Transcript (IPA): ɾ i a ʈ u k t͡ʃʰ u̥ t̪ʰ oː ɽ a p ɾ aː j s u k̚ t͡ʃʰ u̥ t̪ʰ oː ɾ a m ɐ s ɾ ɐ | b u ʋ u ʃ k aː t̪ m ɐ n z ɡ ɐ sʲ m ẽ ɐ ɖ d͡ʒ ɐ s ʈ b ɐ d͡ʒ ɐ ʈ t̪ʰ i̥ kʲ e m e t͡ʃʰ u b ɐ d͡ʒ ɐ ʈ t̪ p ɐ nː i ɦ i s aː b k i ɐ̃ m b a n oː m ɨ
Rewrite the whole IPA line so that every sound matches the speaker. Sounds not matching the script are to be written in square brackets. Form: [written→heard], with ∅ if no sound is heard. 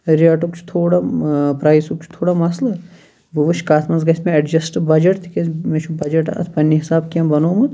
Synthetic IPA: ɾ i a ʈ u k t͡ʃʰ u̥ t̪ʰ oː ɽ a p ɾ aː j s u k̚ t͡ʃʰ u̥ t̪ʰ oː [ɾ→ɽ] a m ɐ s [ɾ→l] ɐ | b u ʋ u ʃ k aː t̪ m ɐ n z ɡ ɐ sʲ m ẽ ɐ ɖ d͡ʒ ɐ s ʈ b ɐ d͡ʒ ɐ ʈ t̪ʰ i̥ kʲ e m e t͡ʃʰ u b ɐ d͡ʒ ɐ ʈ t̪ p ɐ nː i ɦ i s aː b k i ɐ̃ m b [a→ɐ] n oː m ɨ

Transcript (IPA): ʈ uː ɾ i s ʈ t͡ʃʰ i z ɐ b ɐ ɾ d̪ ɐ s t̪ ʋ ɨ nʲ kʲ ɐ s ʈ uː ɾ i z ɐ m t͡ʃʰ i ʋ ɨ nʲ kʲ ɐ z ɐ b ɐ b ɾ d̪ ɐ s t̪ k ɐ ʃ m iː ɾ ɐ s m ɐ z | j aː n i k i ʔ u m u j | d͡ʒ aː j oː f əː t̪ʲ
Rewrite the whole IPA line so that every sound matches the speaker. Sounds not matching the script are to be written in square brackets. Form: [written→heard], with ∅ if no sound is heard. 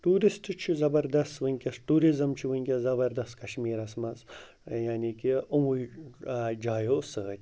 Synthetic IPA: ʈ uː ɾ i s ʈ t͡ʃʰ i z ɐ b ɐ ɾ d̪ ɐ s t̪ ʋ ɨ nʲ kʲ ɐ s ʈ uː ɾ i z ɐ m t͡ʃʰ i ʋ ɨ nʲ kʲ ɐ z ɐ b ɐ [b→∅] ɾ d̪ ɐ s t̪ k ɐ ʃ m iː ɾ ɐ s m ɐ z | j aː n i k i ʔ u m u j | d͡ʒ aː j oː [f→s] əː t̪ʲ

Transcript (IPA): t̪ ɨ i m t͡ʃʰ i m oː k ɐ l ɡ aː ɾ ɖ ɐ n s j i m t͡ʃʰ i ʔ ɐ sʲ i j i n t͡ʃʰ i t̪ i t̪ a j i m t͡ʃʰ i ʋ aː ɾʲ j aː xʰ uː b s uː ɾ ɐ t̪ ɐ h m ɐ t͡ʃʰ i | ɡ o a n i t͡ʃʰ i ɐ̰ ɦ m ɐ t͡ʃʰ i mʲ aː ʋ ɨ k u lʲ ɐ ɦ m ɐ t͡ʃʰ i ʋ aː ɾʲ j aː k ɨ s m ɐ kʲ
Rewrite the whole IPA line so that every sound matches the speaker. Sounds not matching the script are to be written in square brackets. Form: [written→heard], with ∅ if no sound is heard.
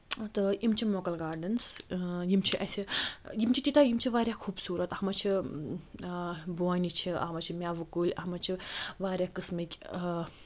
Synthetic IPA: t̪ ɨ i m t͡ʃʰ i m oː k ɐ l ɡ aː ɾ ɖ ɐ n s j i m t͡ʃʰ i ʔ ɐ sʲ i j i [n→m] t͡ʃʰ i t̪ i t̪ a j i m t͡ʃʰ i ʋ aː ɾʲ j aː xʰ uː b s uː ɾ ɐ t̪ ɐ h m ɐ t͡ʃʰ i | [ɡ→b] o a n i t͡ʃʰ i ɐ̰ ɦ m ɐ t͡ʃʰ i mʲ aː ʋ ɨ k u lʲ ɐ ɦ m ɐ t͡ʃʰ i ʋ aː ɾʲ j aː k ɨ s m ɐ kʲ

